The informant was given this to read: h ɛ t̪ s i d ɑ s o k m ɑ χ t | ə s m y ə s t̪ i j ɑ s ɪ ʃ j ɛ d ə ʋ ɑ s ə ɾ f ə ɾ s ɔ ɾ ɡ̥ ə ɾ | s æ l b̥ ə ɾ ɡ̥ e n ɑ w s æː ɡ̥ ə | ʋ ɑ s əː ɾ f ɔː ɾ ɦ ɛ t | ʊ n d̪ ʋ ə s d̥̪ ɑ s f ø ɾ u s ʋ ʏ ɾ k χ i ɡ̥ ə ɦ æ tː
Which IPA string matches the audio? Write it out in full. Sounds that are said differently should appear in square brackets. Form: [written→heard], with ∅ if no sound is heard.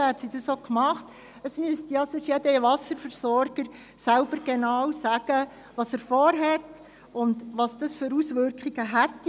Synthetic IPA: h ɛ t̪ s i d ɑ s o k m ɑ χ t | ə s m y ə s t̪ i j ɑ s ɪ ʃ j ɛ d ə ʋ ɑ s ə ɾ f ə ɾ s ɔ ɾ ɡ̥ ə ɾ | s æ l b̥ ə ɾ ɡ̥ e n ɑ w s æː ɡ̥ ə | ʋ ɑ s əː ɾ f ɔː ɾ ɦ ɛ t | ʊ n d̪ ʋ [ə→ɑ] s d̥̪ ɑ s f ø ɾ u s ʋ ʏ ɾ k χ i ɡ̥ ə ɦ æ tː